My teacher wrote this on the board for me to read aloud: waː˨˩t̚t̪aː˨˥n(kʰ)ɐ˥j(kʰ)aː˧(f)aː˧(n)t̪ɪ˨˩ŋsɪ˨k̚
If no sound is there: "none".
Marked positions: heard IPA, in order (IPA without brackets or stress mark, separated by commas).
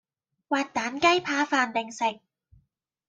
k, pʰ, f, n